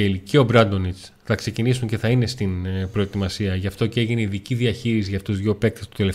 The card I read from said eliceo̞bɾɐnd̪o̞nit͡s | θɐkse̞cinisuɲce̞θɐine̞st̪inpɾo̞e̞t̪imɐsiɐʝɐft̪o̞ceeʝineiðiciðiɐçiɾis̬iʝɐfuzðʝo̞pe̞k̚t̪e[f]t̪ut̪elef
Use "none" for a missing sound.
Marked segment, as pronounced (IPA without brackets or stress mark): s